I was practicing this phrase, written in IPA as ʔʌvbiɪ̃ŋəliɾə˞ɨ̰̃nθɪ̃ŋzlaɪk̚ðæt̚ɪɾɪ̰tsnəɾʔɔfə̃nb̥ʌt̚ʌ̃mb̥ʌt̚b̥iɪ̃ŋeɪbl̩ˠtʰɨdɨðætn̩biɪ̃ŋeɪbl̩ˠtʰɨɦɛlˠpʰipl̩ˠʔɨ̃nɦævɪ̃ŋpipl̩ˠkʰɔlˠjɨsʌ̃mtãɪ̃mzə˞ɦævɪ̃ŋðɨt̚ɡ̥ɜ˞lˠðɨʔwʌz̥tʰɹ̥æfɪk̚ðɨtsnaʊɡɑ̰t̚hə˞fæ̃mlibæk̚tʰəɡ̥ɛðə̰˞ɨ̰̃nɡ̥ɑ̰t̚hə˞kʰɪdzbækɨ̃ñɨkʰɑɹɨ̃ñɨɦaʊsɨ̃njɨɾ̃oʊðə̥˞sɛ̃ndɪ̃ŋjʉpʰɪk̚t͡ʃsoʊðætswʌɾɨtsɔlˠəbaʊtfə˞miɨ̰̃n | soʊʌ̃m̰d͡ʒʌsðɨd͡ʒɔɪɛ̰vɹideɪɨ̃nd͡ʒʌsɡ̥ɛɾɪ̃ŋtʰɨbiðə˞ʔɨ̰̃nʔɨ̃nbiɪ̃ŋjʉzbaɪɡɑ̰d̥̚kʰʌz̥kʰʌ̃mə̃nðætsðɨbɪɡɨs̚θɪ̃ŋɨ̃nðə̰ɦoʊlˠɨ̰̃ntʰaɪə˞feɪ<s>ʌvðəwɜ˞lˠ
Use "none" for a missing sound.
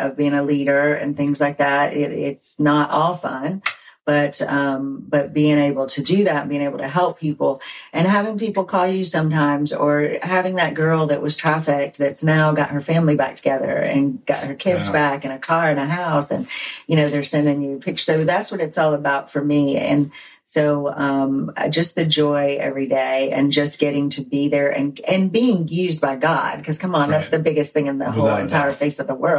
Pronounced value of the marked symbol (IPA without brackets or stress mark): s